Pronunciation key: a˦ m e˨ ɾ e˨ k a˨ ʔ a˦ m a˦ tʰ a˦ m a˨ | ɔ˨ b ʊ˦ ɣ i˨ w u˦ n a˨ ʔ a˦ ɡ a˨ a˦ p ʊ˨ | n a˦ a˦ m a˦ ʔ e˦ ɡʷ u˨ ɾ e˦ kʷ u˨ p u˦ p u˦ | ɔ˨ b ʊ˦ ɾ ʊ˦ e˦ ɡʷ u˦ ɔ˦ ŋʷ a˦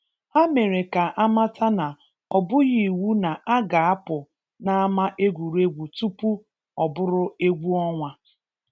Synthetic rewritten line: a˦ m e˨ ɾ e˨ k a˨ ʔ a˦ m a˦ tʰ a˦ n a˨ | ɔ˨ b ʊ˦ ɣ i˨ w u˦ n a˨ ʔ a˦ ɡ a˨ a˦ p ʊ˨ | n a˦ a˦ m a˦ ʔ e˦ ɡʷ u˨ ɾ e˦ ɡʷ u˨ t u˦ p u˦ | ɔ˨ b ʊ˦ ɾ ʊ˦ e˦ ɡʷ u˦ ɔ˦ ŋʷ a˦